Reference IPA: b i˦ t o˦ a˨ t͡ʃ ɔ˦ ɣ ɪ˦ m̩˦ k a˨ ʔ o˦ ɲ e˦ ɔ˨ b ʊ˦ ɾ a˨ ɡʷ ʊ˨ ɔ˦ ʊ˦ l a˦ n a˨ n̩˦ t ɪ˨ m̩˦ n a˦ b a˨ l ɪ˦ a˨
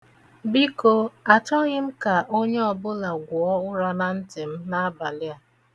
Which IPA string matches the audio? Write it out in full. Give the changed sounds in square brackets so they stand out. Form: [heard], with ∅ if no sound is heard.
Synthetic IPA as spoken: b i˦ [k] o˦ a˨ t͡ʃ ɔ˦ ɣ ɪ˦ m̩˦ k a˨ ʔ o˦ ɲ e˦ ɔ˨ b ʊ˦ [l] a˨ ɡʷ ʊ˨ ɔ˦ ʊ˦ [ɾ] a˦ n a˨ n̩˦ t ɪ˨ m̩˦ n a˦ b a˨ l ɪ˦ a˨